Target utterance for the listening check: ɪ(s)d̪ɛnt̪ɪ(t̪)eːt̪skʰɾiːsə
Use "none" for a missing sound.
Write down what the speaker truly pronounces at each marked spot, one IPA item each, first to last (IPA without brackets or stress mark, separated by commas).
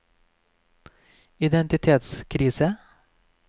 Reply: none, t̪ʰ